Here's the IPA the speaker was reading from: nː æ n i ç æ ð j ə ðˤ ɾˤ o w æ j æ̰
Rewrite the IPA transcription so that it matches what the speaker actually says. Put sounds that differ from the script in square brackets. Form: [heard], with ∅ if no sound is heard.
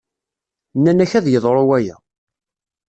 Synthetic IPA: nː æ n [æ] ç æ ð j ə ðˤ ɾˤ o w æ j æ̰